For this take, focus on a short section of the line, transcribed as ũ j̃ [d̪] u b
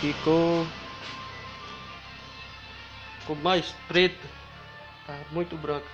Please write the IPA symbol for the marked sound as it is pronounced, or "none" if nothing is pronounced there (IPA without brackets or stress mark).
t̪